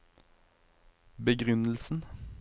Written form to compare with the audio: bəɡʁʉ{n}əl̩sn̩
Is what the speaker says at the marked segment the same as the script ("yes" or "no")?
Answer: yes